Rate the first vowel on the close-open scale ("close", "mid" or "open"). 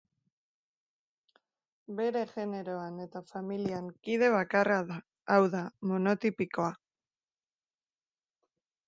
mid